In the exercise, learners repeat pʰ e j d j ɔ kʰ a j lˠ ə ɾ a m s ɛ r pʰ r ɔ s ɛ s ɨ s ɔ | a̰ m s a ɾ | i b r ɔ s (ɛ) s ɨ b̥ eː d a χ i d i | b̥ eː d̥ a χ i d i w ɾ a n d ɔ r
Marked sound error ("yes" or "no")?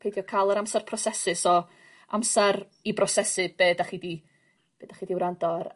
no